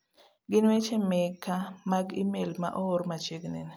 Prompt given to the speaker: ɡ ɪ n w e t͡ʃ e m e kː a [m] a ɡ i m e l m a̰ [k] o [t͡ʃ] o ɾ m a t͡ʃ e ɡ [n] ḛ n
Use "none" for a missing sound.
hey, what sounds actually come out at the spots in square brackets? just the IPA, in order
m, ʔ, none, n

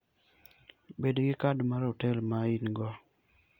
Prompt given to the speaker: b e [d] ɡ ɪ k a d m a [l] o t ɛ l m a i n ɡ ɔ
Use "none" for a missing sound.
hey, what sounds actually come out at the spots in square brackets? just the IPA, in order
d, ɾ

